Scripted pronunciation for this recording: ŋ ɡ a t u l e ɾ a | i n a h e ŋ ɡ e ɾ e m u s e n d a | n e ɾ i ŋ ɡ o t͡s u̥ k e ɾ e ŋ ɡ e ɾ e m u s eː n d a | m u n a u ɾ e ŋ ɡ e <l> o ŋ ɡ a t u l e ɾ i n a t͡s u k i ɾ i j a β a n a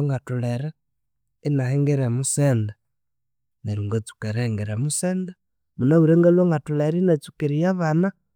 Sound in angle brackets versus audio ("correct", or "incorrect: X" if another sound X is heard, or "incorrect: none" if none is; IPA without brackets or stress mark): correct